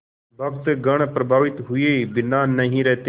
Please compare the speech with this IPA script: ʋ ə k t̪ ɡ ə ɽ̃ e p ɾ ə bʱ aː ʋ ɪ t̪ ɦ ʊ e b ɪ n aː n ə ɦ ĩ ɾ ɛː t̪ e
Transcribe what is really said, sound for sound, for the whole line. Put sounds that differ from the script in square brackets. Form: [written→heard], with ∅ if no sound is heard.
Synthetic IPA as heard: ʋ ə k t̪ ɡ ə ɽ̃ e p ɾ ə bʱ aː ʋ ɪ t̪ ɦ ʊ e b ɪ n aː n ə ɦ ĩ ɾ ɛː t̪ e